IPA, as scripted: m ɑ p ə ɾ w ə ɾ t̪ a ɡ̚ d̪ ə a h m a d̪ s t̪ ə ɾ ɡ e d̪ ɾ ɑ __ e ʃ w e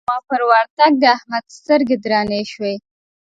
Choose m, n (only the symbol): n